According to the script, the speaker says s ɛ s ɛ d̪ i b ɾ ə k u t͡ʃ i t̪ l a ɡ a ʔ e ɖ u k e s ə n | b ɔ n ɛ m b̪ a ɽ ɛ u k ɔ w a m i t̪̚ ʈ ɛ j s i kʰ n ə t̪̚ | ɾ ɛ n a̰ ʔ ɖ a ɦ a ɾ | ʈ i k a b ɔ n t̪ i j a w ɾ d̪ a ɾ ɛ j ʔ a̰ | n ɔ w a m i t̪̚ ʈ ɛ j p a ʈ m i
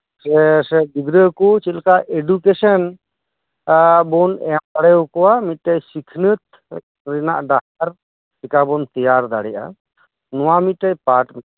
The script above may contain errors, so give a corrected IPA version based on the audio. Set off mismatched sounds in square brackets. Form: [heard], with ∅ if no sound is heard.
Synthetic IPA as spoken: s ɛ s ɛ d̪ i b ɾ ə k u t͡ʃ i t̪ l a [k] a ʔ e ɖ u k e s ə n | b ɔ n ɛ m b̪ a ɽ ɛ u k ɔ w a m i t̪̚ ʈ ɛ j s i kʰ n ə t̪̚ | ɾ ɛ n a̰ ʔ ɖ a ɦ a ɾ | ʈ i k a b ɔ n t̪ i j a [∅] ɾ d̪ a [ɽ] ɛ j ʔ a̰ | n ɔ w a m i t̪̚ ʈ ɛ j p a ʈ m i